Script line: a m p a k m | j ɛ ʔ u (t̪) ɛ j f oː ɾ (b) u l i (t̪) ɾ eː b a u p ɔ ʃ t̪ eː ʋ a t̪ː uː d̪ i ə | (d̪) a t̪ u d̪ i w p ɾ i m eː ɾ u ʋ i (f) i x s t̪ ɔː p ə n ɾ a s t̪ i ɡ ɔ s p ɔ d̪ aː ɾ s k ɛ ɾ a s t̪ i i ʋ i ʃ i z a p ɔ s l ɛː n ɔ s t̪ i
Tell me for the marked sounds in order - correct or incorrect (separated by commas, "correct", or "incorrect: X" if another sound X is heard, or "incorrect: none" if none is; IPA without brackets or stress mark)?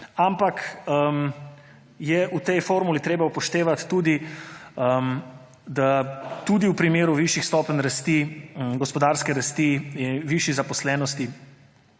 correct, incorrect: m, correct, correct, incorrect: ʃ